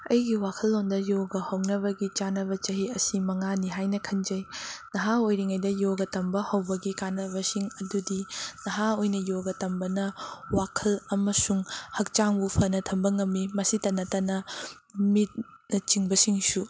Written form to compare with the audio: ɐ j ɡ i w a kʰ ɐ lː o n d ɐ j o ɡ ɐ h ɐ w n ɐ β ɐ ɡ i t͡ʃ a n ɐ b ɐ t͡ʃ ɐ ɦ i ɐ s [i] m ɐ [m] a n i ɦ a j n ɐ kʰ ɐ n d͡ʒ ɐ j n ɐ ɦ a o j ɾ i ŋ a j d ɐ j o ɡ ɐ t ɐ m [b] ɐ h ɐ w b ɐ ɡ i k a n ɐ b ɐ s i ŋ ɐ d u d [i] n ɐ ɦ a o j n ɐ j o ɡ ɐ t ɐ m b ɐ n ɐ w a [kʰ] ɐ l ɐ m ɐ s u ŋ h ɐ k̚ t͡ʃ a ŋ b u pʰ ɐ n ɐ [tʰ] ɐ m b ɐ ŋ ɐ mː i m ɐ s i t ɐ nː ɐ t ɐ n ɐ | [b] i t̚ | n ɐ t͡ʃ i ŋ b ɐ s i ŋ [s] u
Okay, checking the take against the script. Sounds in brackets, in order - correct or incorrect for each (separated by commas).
correct, incorrect, correct, correct, correct, correct, incorrect, correct